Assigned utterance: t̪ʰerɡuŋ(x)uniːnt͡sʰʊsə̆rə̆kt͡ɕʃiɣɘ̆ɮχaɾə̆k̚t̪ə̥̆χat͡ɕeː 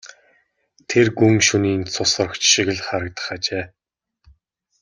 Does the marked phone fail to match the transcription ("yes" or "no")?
yes